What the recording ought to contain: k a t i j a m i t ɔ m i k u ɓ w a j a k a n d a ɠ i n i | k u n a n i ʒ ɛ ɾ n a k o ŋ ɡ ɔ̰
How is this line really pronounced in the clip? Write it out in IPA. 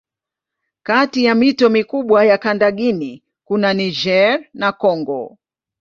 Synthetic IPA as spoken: k a t i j a m i t ɔ m i k u ɓ w a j a k a n d a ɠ i n i | k u n a n i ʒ ɛ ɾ n a k ɔ ŋ ɡ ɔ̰